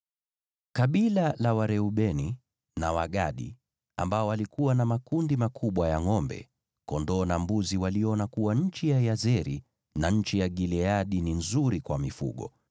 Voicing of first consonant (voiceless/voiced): voiceless